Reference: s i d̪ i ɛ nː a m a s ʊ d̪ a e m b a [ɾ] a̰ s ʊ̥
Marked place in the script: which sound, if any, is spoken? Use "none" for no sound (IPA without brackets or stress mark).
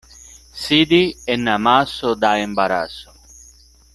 ɾ